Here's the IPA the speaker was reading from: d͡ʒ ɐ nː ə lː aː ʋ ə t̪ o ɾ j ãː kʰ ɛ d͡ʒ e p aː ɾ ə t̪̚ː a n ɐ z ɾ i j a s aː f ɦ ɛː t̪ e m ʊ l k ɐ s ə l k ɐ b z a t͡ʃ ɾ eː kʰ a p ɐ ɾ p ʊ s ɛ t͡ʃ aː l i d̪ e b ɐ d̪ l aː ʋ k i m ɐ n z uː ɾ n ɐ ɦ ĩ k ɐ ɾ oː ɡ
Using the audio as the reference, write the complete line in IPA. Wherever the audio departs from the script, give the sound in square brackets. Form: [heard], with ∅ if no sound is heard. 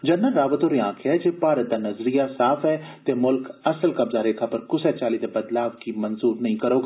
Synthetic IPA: d͡ʒ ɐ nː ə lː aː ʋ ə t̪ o ɾ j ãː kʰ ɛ d͡ʒ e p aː ɾ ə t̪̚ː a n ɐ z ɾ i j a s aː f ɦ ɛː t̪ e m ʊ l k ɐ s ə l k ɐ b z a [∅] ɾ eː kʰ a p ɐ ɾ [k] ʊ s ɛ t͡ʃ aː l i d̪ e b ɐ d̪ l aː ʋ k i m ɐ n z uː ɾ n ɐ ɦ ĩ k ɐ ɾ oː ɡ

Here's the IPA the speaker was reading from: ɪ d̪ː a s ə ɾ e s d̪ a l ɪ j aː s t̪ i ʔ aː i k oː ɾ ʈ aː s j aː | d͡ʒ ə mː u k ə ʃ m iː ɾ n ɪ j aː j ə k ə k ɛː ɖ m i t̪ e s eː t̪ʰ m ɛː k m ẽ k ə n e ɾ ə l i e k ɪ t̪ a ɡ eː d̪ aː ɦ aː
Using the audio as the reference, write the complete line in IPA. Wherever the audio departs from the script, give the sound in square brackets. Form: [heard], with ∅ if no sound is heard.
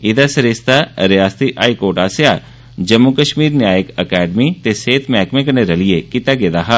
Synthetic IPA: ɪ [d̪] a s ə ɾ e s [t̪] a [ɾ] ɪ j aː s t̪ i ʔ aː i k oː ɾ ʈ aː s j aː | d͡ʒ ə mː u k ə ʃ m iː ɾ n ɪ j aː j ə k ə k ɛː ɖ m i t̪ e s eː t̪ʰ m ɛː k m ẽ k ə n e ɾ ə l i e k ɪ t̪ a ɡ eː d̪ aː ɦ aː

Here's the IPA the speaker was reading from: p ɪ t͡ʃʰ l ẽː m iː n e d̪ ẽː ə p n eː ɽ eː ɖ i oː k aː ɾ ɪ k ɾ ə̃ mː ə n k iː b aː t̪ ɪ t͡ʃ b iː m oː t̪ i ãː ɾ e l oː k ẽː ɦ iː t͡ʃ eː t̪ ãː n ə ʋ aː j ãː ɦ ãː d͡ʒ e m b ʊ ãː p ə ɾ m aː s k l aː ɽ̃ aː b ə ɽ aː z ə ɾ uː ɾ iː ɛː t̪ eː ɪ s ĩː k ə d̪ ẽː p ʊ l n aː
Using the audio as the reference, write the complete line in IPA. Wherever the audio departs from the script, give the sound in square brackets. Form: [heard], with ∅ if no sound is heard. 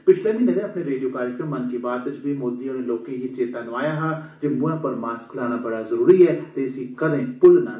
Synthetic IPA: p ɪ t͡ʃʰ l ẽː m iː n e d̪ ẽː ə p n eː [ɾ] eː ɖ i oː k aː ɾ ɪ k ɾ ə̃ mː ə n k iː b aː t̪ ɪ t͡ʃ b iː m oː [d̪] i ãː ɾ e l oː k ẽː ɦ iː t͡ʃ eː t̪ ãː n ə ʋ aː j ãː ɦ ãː d͡ʒ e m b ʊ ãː p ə ɾ m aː s k l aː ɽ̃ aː b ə ɽ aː z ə ɾ uː ɾ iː ɛː t̪ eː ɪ s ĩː k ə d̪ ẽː p ʊ l n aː

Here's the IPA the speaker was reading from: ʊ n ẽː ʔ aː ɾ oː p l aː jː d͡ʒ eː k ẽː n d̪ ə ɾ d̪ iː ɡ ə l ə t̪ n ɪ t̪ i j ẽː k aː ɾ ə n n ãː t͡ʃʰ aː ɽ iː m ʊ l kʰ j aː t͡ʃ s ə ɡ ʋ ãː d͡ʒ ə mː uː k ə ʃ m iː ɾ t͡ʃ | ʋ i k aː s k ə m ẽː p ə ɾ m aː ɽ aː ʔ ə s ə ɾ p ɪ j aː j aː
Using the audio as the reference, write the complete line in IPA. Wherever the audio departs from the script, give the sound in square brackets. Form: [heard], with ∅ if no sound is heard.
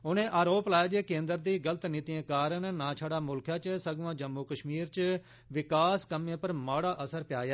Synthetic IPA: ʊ n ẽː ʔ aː ɾ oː p l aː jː d͡ʒ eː k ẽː n d̪ ə ɾ d̪ iː ɡ ə l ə t̪ n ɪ t̪ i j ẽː k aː ɾ ə n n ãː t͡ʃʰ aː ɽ [aː] m ʊ l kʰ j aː t͡ʃ s ə ɡ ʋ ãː d͡ʒ ə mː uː k ə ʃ m iː ɾ t͡ʃ | ʋ [ɪ] k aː s k ə m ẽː p ə ɾ m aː ɽ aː ʔ ə s ə ɾ p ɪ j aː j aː

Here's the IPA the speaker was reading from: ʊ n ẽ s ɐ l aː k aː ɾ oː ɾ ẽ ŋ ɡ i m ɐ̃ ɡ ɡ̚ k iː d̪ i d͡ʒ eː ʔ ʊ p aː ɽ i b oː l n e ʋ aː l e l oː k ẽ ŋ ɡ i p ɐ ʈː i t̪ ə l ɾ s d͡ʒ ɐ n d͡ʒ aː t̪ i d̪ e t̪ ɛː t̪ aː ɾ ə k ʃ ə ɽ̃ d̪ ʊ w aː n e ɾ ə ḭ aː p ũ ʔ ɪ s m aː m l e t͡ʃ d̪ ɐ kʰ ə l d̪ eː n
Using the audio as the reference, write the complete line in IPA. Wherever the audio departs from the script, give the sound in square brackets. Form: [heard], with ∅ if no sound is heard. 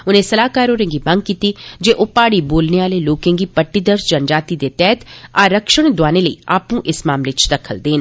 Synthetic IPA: ʊ n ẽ s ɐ l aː k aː ɾ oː ɾ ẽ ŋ ɡ i m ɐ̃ [ŋ] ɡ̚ k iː [t̪] i d͡ʒ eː ʔ ʊ p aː ɽ i b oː l n e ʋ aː l e l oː k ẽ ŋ ɡ i p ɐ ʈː i [d̪] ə [∅] ɾ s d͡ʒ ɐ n d͡ʒ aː t̪ i d̪ e t̪ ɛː t̪ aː ɾ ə k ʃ ə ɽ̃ d̪ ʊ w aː n e [l] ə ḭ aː p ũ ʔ ɪ s m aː m l e t͡ʃ d̪ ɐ kʰ ə l d̪ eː n

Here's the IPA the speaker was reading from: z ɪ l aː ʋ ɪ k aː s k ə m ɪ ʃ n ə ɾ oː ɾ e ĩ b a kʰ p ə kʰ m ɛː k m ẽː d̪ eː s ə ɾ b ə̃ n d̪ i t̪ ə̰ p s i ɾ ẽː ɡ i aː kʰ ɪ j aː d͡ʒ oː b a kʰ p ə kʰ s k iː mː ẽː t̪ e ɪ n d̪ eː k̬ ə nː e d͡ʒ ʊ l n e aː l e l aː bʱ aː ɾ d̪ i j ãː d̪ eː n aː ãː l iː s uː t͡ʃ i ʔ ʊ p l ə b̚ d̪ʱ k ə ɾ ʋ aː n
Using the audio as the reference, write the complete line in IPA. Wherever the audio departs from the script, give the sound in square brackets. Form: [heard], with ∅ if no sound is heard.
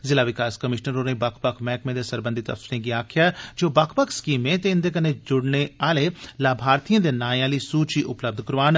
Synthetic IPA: z ɪ l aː ʋ ɪ k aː s k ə m ɪ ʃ n ə ɾ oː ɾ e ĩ b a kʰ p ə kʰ m ɛː k m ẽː d̪ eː s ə ɾ b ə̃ n d̪ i t̪ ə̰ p s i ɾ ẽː ɡ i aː kʰ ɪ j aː d͡ʒ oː b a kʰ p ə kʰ s k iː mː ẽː t̪ e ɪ n d̪ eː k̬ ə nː e d͡ʒ ʊ [ɽ] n e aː l e l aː bʱ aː ɾ [t̪] i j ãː d̪ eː n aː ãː l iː s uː t͡ʃ i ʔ ʊ p l ə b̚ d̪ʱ k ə ɾ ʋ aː n

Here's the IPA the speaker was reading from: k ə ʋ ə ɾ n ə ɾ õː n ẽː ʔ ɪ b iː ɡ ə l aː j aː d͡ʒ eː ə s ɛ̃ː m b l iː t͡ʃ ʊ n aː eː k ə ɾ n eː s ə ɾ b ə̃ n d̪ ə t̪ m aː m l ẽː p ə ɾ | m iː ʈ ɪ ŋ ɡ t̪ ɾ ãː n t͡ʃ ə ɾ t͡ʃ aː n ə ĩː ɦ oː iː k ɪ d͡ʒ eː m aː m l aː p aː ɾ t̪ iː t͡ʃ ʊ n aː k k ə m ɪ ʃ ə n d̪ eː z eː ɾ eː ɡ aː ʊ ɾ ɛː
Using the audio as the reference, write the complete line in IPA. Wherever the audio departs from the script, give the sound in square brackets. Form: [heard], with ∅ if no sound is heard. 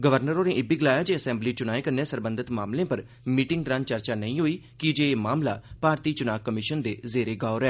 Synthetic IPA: [ɡ] ə ʋ ə ɾ n ə ɾ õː n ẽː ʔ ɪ b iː ɡ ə l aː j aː d͡ʒ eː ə s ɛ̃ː m b l iː t͡ʃ ʊ n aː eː k ə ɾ n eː s ə ɾ b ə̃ n d̪ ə t̪ m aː m l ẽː p ə ɾ | m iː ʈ ɪ ŋ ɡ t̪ ɾ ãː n t͡ʃ ə ɾ t͡ʃ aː n ə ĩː ɦ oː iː k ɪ d͡ʒ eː m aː m l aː p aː ɾ t̪ iː t͡ʃ ʊ n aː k k ə m ɪ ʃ ə n d̪ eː z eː ɾ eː ɡ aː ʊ ɾ ɛː

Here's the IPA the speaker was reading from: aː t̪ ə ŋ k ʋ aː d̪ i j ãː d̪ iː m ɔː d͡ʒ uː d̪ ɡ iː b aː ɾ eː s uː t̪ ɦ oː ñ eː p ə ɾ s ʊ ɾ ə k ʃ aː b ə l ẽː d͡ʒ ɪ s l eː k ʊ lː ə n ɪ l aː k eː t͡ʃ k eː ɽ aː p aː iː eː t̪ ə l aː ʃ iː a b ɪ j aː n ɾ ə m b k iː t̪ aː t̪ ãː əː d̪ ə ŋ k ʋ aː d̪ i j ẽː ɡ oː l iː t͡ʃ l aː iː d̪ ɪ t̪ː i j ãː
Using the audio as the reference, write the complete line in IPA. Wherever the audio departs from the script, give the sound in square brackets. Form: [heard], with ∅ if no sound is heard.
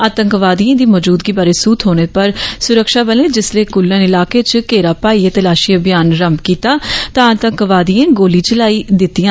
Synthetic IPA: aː t̪ ə ŋ k ʋ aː d̪ i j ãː d̪ iː m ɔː d͡ʒ uː d̪ ɡ iː b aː ɾ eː s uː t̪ ɦ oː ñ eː p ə ɾ s ʊ ɾ ə k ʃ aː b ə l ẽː d͡ʒ ɪ s l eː k ʊ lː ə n ɪ l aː k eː t͡ʃ k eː [ɾ] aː p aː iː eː t̪ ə l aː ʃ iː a b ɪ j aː n ɾ ə m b k iː t̪ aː t̪ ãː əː [t̪] ə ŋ k ʋ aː d̪ i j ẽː ɡ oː l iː t͡ʃ l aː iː d̪ ɪ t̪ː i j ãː

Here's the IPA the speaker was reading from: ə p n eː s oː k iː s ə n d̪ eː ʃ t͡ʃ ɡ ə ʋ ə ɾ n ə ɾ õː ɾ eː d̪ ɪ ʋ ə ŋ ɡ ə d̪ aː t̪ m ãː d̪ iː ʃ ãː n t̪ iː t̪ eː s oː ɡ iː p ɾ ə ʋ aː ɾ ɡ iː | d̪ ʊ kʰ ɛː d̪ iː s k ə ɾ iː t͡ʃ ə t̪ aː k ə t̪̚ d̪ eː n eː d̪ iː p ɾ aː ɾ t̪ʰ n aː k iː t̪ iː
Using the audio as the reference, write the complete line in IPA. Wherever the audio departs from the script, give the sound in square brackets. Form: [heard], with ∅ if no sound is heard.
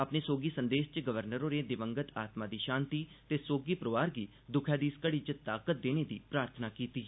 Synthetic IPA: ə p n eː s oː [ɡ] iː s ə n d̪ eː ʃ t͡ʃ ɡ ə ʋ ə ɾ n ə ɾ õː ɾ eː d̪ ɪ ʋ ə ŋ ɡ ə [t̪] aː t̪ m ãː d̪ iː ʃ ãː n t̪ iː t̪ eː s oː ɡ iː p ɾ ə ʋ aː ɾ ɡ iː | d̪ ʊ kʰ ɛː d̪ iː s k ə [ɽ] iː t͡ʃ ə t̪ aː k ə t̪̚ d̪ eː n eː d̪ iː p ɾ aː ɾ t̪ʰ n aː k iː t̪ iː

